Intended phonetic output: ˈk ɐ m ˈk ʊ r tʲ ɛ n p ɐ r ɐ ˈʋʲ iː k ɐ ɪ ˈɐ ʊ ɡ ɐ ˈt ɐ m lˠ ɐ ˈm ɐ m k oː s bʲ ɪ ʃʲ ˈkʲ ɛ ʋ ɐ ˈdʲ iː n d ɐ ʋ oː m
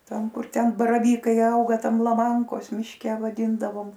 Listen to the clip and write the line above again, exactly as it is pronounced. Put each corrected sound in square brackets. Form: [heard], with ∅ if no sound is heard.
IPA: [ˈt] ɐ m ˈk ʊ r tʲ ɛ n [b] ɐ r ɐ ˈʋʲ iː k ɐ ɪ ˈɐ ʊ ɡ ɐ ˈt ɐ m lˠ ɐ ˈm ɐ [ŋ] k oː s [mʲ] ɪ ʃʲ ˈkʲ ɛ ʋ ɐ ˈdʲ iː n d ɐ ʋ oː m

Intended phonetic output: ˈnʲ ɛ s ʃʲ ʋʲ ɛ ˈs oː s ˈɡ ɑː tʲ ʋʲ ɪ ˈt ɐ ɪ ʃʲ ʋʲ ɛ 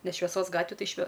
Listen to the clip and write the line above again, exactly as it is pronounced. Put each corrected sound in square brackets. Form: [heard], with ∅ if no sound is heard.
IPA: ˈnʲ ɛ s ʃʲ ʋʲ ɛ ˈs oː s ˈɡ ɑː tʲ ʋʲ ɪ ˈt ɐ ɪ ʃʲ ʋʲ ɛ

